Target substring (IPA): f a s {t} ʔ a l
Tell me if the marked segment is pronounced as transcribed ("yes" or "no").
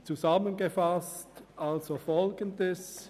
yes